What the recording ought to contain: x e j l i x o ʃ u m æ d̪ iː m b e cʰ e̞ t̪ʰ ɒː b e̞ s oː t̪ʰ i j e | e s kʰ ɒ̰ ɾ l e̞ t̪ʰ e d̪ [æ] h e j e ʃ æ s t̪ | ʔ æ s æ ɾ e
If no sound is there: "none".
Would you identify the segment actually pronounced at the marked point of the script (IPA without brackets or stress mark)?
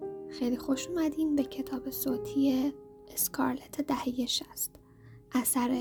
æ